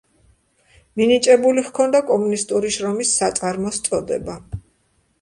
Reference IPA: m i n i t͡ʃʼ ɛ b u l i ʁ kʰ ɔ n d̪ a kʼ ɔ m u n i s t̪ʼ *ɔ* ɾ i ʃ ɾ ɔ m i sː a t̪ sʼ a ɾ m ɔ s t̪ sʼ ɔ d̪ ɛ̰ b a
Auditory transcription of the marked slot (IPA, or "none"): u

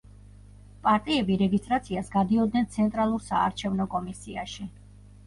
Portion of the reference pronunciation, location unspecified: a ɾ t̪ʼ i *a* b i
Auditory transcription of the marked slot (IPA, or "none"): ɛ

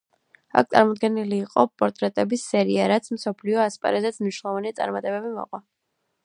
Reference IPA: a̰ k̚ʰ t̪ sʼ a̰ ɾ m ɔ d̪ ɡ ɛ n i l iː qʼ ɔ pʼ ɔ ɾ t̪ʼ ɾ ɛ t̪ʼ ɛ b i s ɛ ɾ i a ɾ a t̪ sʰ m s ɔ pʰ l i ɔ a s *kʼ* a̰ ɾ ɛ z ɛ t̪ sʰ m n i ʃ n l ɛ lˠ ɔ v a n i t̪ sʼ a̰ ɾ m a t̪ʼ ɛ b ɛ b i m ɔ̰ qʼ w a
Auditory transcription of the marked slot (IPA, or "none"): pʼ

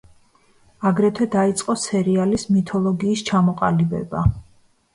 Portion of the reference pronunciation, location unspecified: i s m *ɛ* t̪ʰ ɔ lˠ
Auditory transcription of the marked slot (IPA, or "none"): i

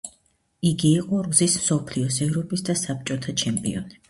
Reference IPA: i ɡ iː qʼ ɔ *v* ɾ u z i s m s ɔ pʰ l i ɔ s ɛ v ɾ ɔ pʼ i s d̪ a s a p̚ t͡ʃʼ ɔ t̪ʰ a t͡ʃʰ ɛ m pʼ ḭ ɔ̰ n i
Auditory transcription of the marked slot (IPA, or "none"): none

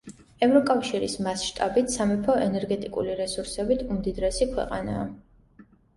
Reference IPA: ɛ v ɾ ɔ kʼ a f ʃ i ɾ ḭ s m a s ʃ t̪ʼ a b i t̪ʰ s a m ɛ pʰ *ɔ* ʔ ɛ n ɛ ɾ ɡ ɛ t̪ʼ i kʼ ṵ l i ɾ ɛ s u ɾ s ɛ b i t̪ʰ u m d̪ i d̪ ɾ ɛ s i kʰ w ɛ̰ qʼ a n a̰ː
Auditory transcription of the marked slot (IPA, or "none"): ɔ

